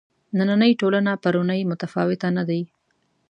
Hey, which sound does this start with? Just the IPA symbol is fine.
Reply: n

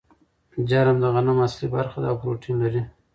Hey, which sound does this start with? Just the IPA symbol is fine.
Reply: d͡ʒ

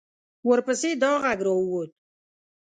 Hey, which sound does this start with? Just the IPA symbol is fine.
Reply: w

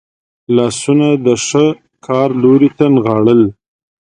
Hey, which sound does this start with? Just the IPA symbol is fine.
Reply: l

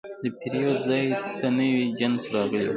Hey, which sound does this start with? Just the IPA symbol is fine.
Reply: d̪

